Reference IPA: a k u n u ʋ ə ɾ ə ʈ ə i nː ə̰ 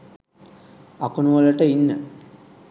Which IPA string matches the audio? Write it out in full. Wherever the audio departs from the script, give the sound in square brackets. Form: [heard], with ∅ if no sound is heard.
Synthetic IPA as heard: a k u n u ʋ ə [l] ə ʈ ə i nː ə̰